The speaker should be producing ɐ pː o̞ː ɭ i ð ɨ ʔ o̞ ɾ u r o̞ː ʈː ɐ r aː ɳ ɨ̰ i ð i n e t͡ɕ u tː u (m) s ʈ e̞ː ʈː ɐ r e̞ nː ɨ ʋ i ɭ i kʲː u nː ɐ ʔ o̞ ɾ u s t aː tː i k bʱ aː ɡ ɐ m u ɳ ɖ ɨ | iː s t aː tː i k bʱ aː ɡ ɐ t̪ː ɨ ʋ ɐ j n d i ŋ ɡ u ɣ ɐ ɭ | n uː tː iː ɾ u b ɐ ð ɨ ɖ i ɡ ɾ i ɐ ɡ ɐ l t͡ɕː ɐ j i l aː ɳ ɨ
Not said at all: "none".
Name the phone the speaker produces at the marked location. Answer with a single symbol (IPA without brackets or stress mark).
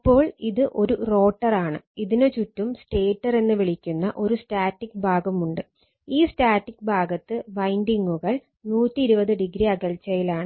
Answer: m